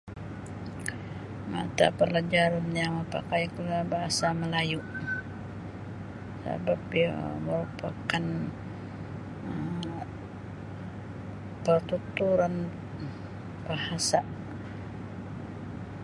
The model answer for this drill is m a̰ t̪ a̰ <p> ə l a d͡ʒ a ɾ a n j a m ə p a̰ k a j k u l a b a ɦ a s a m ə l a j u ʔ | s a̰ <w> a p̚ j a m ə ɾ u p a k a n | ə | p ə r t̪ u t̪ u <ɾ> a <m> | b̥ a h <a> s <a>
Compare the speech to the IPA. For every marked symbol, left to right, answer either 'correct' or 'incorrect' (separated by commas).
correct, incorrect, correct, incorrect, correct, correct